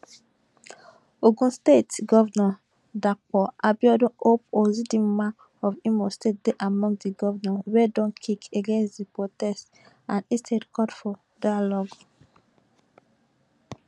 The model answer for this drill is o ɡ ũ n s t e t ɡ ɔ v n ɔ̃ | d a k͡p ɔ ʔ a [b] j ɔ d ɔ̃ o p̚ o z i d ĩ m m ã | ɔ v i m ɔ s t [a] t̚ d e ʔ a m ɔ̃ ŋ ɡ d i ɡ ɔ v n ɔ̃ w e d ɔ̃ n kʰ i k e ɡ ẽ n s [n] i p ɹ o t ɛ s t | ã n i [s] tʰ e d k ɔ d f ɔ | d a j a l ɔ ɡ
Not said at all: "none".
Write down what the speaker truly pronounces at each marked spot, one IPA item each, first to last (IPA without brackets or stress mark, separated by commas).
b, e, d, s